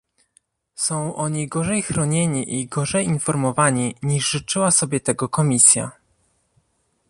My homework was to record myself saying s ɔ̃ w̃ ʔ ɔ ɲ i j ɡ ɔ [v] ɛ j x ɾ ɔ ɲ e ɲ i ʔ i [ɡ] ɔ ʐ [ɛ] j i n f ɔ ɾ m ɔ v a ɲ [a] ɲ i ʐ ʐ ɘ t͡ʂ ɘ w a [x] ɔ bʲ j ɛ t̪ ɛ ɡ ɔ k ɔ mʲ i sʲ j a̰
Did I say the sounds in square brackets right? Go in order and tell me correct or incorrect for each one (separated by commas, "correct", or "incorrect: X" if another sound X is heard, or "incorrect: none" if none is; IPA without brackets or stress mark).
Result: incorrect: ʐ, correct, correct, incorrect: i, incorrect: s